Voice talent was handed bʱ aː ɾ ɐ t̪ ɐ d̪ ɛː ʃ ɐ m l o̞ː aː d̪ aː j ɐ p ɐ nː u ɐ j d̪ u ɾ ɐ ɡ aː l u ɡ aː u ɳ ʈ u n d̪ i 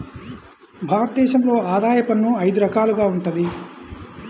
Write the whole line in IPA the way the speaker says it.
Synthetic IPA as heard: bʱ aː ɾ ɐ t̪ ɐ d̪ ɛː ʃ ɐ m l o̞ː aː d̪ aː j ɐ p ɐ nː u ɐ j d̪ u ɾ ɐ k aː l u ɡ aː u ɳ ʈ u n d̪ i